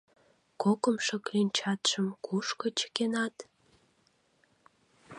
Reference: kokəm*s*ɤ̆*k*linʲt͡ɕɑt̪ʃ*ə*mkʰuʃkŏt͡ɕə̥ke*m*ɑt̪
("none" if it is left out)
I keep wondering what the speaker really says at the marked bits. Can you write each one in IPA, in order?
ʃ, k, ə, n

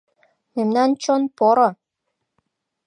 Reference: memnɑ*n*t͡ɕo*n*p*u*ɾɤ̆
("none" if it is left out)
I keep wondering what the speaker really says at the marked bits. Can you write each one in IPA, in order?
n, n, o

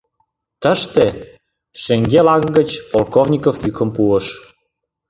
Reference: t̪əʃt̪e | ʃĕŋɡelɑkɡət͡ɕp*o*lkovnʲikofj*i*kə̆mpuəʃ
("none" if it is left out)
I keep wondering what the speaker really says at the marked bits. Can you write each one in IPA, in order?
o, y

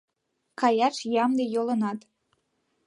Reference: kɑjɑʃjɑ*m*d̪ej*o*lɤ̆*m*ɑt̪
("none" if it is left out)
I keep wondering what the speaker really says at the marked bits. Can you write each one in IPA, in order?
m, o, n

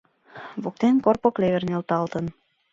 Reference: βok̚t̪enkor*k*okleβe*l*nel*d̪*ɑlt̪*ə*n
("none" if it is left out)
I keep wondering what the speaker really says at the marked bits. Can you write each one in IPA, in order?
p, r, t̪, ə

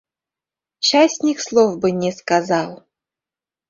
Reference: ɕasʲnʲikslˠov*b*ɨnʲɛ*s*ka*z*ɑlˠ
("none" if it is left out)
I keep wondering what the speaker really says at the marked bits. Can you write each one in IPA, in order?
b, s, z

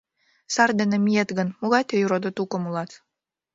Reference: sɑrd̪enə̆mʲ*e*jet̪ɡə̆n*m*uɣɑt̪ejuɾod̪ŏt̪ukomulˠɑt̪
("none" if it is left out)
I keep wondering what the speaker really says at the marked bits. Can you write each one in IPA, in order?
i, m

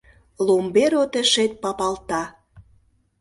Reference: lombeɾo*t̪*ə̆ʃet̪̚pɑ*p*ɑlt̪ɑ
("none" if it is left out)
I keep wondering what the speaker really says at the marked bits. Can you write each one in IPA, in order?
t̪, p

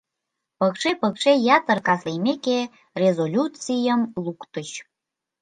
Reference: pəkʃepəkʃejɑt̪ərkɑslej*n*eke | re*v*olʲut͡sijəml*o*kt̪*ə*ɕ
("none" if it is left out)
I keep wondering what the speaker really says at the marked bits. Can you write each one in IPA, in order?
m, z, u, ə

